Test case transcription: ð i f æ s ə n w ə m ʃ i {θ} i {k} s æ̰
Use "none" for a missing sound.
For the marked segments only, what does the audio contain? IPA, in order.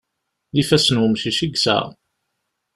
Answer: ʃ, ɡ

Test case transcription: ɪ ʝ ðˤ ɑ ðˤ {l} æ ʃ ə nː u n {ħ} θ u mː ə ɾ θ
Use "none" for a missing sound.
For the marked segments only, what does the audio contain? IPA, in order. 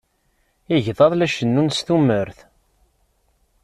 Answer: l, s

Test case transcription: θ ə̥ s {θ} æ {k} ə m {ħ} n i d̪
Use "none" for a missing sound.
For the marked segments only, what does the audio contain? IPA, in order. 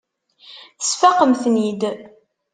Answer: f, q, θ

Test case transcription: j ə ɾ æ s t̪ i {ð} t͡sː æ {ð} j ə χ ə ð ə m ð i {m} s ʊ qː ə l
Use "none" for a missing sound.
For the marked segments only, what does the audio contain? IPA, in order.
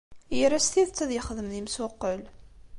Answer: ð, ð, m

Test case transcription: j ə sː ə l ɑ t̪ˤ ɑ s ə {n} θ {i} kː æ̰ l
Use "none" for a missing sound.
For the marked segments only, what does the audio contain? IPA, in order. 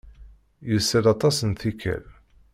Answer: n, i

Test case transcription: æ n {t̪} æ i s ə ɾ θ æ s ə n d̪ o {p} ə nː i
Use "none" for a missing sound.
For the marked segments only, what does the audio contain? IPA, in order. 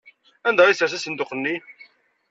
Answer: d̪, q

